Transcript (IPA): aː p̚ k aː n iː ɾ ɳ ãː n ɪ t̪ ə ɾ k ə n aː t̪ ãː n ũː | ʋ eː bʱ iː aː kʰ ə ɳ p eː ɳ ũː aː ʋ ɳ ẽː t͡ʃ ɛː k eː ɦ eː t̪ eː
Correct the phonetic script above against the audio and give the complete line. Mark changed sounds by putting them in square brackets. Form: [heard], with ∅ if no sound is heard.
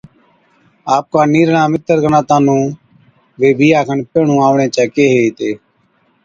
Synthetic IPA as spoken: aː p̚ k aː n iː ɾ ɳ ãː [m] ɪ t̪ ə ɾ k ə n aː t̪ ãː n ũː | ʋ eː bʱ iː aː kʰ ə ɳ p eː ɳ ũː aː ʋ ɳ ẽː t͡ʃ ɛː k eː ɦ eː t̪ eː